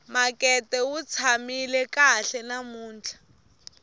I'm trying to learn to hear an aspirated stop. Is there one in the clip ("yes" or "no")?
yes